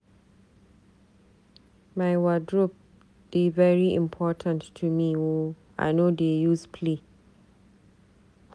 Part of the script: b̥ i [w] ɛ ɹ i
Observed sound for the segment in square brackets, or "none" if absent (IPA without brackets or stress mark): v